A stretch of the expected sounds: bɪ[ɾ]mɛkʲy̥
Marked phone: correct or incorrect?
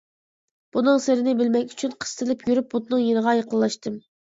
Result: incorrect